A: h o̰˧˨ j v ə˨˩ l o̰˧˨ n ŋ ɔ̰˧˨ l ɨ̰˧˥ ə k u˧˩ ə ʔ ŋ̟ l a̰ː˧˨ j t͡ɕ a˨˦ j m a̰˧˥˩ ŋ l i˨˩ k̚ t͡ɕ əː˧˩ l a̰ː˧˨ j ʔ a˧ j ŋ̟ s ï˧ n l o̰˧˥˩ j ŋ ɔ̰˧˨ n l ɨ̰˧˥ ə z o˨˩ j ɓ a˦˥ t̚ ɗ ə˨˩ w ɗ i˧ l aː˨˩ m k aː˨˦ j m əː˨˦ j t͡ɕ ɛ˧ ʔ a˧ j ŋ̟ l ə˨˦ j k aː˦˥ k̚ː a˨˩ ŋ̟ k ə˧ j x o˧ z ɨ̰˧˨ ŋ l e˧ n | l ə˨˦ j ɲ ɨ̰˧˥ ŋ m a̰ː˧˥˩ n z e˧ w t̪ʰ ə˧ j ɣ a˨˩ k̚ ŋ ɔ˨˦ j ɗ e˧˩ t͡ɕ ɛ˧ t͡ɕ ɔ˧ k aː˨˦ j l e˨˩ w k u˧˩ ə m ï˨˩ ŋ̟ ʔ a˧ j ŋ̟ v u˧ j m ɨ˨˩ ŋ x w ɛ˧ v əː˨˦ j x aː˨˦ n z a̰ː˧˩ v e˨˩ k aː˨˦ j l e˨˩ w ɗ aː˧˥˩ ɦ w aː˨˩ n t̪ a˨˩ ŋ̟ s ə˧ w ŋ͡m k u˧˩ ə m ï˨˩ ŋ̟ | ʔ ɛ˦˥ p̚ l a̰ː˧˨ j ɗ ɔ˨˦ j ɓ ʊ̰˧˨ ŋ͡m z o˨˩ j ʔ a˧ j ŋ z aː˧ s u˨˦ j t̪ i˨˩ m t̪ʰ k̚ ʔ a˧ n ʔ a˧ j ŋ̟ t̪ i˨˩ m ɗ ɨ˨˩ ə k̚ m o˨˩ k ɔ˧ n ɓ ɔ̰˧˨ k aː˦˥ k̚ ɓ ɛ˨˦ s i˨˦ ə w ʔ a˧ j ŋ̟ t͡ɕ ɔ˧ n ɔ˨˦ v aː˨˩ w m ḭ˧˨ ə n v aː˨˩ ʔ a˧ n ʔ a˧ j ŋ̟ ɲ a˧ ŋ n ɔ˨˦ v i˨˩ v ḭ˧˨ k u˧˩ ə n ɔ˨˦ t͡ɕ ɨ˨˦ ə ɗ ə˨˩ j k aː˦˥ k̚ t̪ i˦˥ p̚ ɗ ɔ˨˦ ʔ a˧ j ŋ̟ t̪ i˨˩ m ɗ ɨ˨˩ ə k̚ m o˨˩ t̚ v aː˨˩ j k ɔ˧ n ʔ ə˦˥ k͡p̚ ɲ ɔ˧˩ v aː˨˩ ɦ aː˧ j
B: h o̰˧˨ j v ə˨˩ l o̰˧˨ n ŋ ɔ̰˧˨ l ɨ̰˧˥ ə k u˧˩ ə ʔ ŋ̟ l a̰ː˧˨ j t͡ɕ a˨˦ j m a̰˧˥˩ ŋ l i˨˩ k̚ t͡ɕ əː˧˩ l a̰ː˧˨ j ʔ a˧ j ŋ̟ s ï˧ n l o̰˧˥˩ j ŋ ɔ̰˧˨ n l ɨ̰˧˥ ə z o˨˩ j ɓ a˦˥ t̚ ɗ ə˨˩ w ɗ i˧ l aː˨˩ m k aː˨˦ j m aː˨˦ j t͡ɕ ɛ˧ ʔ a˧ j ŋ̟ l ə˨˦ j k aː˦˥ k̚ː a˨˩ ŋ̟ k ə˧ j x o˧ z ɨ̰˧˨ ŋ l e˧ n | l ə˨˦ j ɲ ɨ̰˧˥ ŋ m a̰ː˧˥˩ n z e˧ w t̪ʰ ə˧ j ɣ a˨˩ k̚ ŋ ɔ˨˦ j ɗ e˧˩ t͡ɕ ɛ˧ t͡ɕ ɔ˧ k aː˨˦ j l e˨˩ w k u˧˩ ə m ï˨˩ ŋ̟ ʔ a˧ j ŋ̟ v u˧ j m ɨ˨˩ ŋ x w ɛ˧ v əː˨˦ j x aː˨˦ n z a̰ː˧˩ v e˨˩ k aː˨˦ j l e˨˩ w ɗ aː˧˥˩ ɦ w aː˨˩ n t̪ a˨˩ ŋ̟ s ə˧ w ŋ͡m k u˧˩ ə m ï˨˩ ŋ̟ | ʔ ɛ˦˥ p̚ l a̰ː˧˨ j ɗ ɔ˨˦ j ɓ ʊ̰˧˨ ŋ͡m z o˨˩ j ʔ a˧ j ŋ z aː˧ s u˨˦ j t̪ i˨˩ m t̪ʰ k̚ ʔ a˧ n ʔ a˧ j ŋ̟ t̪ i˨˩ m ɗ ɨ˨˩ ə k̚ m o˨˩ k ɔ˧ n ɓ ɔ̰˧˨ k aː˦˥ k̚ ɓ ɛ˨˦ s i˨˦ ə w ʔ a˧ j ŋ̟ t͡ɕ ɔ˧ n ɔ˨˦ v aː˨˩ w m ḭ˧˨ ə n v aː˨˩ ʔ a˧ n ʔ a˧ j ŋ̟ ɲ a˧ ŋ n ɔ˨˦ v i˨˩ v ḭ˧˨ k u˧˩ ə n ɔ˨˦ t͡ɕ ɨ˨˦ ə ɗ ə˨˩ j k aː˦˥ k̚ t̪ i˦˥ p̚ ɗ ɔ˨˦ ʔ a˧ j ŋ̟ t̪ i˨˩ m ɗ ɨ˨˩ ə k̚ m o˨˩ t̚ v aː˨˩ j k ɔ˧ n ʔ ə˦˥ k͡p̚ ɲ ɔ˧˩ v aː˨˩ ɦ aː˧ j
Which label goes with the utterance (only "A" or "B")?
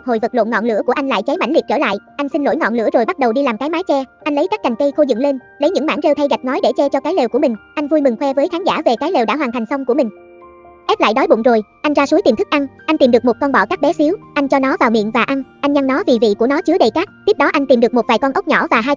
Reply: B